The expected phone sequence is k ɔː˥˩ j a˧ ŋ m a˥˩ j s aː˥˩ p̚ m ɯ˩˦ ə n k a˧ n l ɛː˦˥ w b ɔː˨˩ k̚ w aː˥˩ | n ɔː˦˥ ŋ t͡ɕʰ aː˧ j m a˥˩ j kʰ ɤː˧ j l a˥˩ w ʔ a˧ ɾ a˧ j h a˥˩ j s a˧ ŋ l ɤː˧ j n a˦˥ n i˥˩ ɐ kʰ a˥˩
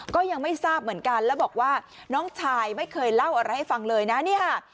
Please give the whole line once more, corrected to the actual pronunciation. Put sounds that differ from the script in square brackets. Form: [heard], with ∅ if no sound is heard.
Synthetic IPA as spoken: k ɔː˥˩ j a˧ ŋ m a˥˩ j s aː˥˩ p̚ m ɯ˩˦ ə n k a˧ n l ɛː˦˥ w b ɔː˨˩ k̚ w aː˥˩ | n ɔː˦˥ ŋ t͡ɕʰ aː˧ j m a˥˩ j kʰ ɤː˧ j l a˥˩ w ʔ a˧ ɾ a˧ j h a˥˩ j [f] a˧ ŋ l ɤː˧ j n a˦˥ n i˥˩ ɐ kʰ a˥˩